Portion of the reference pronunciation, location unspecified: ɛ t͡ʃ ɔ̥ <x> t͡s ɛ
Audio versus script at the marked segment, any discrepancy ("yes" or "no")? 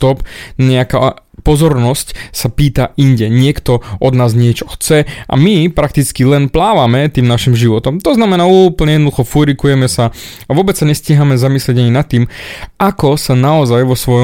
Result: no